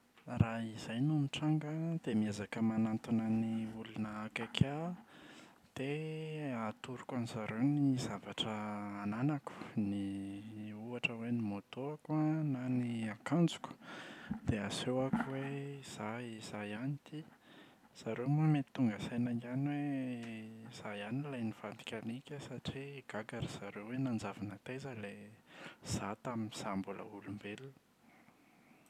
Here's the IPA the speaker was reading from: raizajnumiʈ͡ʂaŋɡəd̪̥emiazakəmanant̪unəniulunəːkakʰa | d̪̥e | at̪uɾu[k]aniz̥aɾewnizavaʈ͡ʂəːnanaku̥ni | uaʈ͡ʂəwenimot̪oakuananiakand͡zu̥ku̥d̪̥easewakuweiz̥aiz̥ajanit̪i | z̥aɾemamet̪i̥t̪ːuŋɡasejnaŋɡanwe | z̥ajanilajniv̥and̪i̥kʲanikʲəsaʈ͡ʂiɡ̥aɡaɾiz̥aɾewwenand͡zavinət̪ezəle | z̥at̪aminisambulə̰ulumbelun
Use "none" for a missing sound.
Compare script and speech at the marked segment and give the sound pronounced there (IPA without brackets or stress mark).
k